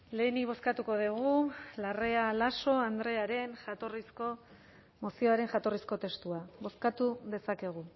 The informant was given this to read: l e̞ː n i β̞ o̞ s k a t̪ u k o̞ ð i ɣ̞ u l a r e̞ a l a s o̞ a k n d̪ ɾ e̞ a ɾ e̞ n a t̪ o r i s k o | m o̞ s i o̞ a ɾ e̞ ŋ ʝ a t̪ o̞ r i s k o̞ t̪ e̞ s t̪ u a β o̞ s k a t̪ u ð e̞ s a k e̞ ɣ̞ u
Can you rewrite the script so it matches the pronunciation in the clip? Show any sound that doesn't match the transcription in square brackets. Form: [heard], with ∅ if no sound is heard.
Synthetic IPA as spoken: l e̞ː n i β̞ o̞ s k a t̪ u k o̞ ð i ɣ̞ u l a r e̞ a l a s o̞ a [∅] n d̪ ɾ e̞ a ɾ e̞ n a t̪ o r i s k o | m o̞ s i o̞ a ɾ e̞ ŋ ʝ a t̪ o̞ r i s k o̞ t̪ e̞ s t̪ u a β o̞ s k a t̪ u ð e̞ s a k e̞ ɣ̞ u

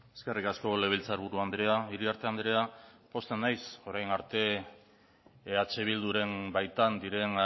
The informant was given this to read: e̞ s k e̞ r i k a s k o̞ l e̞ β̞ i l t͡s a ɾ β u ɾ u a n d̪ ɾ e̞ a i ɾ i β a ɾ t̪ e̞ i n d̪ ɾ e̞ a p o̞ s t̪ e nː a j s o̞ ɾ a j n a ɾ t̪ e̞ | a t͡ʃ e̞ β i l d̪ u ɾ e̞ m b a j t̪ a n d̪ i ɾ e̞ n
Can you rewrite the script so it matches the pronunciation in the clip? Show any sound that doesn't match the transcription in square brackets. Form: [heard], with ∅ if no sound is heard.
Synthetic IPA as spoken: e̞ s k e̞ r i k a s k o̞ l e̞ β̞ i l t͡s a ɾ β u ɾ u a n d̪ ɾ e̞ a i ɾ i [∅] a ɾ t̪ e̞ [a] n d̪ ɾ e̞ a p o̞ s t̪ e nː a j s o̞ ɾ a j n a ɾ t̪ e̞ | a t͡ʃ e̞ β i l d̪ u ɾ e̞ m b a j t̪ a n d̪ i ɾ e̞ n

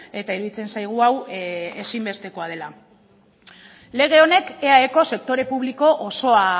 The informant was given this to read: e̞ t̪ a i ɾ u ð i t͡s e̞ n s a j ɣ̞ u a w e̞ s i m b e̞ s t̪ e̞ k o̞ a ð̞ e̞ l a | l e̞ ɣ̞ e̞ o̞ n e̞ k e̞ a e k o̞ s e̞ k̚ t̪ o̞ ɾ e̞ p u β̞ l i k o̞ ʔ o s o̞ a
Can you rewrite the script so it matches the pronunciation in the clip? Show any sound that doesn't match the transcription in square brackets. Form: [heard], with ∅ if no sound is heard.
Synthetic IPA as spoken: e̞ t̪ a i ɾ u ð i t͡s e̞ n s a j ɣ̞ u a w e̞ s i m b e̞ s t̪ e̞ k o̞ a ð̞ e̞ l a | l e̞ ɣ̞ e̞ o̞ n e̞ k e̞ a e k o̞ s e̞ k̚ t̪ o̞ ɾ e̞ p u β̞ l i k o̞ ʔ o s o̞ a

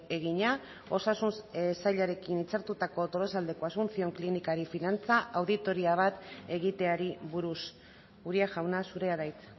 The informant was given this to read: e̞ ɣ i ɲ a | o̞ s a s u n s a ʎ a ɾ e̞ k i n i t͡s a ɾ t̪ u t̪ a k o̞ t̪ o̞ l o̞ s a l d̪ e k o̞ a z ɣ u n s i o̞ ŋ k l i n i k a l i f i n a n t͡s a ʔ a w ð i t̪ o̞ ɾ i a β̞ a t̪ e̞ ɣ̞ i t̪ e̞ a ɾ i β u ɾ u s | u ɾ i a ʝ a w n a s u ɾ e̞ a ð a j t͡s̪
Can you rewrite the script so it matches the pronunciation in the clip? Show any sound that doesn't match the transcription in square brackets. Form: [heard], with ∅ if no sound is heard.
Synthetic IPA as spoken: e̞ ɣ i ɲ a | o̞ s a s u n s a ʎ a ɾ e̞ k i n i t͡s a ɾ t̪ u t̪ a k o̞ t̪ o̞ l o̞ s a l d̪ e k o̞ a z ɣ u n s i o̞ ŋ k l i n i k a [ɾ] i f i n a n t͡s a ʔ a w ð i t̪ o̞ ɾ i a β̞ a t̪ e̞ ɣ̞ i t̪ e̞ a ɾ i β u ɾ u s | u ɾ i a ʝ a w n a s u ɾ e̞ a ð a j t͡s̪

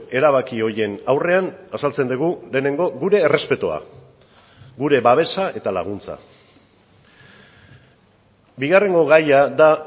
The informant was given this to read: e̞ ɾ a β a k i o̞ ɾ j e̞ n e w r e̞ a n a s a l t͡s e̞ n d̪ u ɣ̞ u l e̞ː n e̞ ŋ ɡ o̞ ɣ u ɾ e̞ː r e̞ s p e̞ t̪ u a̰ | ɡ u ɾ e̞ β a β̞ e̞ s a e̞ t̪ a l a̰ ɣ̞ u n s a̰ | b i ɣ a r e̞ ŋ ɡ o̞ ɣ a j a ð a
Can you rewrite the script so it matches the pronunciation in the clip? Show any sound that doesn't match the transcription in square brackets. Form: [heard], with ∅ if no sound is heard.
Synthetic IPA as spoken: e̞ ɾ a β a k i o̞ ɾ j e̞ n [a] w r e̞ a n a s a l t͡s e̞ n d̪ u ɣ̞ u l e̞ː n e̞ ŋ ɡ o̞ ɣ u ɾ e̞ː r e̞ s p e̞ t̪ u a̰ | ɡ u ɾ e̞ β a β̞ e̞ s a e̞ t̪ a l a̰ ɣ̞ u n [t͡s] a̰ | b i ɣ a r e̞ ŋ ɡ o̞ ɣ a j a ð a

